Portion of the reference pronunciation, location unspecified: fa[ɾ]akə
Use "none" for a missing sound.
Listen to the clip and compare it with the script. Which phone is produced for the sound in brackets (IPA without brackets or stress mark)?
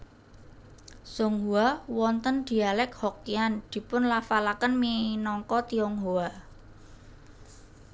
l